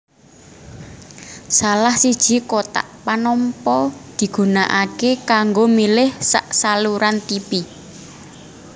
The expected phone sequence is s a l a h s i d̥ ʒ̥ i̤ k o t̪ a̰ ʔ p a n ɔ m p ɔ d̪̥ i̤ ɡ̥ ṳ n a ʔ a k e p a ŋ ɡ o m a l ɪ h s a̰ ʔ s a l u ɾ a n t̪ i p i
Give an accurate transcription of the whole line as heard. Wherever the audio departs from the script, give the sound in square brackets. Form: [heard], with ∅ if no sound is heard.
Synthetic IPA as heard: s a l a h s i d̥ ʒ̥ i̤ k o t̪ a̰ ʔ p a n ɔ m p ɔ d̪̥ i̤ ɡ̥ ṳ n a ʔ a k e [k] a ŋ ɡ o m [i] l ɪ h s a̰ ʔ s a l u ɾ a n t̪ i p i

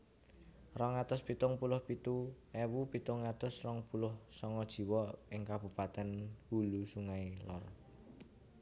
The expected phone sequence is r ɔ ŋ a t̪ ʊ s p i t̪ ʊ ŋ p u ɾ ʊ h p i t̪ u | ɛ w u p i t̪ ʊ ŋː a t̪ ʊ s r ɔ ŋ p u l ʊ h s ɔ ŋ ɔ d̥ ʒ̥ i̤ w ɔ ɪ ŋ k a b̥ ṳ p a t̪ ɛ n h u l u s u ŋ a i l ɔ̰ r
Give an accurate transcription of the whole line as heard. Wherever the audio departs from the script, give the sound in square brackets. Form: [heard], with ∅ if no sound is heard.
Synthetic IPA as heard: r ɔ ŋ a t̪ ʊ s p i t̪ ʊ ŋ p u [l] ʊ h p i t̪ u | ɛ w u p i t̪ ʊ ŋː a t̪ ʊ s r ɔ ŋ p u l ʊ h s ɔ ŋ ɔ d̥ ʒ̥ i̤ w ɔ ɪ ŋ k a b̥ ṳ p a t̪ ɛ n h u l u s u ŋ a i l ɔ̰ r

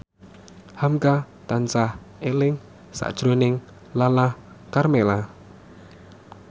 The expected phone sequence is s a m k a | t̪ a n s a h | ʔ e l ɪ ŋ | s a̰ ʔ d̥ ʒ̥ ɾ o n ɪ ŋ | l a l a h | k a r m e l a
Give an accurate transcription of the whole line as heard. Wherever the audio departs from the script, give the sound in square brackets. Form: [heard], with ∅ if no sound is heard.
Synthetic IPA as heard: [h] a m k a | t̪ a n s a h | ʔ e l ɪ ŋ | s a̰ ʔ d̥ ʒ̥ ɾ o n ɪ ŋ | l a l a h | k a r m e l a

